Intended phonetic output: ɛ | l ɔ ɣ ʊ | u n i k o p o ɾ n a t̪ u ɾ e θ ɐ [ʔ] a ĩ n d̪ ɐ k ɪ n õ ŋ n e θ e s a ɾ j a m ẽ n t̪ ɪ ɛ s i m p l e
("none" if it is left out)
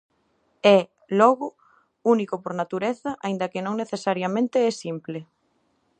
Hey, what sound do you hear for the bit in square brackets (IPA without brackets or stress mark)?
ʔ